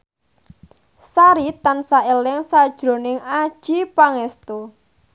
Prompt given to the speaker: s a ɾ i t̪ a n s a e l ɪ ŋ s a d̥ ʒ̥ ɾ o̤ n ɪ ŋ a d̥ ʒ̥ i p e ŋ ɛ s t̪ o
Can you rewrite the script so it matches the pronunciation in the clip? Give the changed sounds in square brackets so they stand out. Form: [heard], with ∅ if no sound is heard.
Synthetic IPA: s a ɾ i t̪ a n s a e l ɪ ŋ s a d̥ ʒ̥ ɾ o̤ n ɪ ŋ a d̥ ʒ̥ i p [a] ŋ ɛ s t̪ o